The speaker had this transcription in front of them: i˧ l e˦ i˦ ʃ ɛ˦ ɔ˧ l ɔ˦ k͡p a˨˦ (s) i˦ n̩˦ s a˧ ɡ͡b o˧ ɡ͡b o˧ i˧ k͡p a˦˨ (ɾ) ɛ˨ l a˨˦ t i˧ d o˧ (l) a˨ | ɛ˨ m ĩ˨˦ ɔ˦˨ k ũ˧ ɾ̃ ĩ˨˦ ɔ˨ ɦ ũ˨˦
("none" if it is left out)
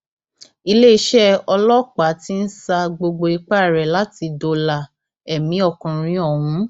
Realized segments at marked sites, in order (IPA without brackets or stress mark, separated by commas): t, ɾ, l